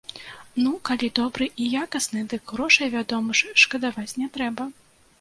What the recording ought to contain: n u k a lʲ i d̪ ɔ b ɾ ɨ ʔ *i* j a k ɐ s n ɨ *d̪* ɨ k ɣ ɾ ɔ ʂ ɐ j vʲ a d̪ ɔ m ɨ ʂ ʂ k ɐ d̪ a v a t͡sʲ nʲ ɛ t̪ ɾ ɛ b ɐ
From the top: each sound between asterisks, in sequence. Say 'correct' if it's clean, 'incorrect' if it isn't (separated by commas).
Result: correct, correct